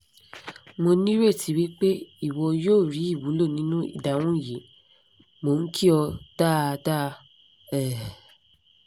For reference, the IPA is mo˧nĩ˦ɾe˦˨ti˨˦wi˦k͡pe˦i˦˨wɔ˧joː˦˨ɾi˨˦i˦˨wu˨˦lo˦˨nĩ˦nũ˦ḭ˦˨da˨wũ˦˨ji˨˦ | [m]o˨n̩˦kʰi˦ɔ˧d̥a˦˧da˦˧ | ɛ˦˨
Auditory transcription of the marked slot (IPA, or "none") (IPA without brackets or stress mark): m